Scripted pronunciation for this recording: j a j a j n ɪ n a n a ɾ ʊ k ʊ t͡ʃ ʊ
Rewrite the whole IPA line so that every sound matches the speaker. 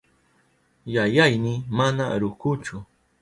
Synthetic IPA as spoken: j a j a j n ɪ m a n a ɾ ʊ k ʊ t͡ʃ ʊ